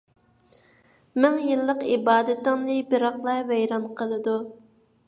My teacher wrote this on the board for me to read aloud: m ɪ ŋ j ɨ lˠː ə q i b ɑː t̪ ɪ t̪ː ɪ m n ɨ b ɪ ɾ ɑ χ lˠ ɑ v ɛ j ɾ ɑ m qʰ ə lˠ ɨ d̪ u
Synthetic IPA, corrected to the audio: m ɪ ŋ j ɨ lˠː ə q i b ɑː d̪ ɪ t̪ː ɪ ŋ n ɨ b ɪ ɾ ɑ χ lˠ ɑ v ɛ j ɾ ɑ m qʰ ə lˠ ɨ d̪ u